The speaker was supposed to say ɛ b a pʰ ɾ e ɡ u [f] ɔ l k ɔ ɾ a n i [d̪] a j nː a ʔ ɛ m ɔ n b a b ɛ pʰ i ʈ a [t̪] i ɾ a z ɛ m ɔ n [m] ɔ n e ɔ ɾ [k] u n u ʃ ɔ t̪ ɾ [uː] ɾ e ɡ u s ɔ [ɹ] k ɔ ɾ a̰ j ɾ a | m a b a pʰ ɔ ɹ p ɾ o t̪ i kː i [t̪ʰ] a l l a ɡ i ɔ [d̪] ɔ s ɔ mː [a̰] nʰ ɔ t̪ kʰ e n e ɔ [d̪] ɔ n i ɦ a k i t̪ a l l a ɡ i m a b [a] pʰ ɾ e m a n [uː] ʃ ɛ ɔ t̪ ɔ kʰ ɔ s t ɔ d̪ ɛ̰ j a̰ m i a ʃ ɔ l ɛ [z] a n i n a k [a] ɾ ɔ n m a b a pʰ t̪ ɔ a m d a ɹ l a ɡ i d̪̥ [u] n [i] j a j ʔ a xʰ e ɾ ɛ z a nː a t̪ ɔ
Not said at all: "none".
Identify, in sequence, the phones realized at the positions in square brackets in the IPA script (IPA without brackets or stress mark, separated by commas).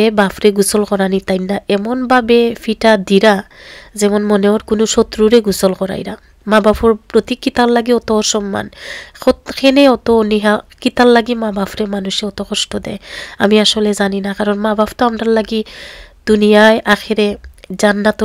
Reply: s, t̪, d̪, m, k, u, l, t̪, t̪, a̰, t̪, a, u, z, a, u, i